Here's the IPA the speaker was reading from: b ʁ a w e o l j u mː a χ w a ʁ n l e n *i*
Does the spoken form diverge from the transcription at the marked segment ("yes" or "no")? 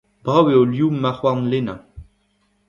yes